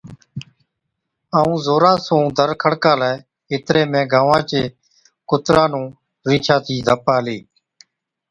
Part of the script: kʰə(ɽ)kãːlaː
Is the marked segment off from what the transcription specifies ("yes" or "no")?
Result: no